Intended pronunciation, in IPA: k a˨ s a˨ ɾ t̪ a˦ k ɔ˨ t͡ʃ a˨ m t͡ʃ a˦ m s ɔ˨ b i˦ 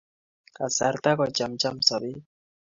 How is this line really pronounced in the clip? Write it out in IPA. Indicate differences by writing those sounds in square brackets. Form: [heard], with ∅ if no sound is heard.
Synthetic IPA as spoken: k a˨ s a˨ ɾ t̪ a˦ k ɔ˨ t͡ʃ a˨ m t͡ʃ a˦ m s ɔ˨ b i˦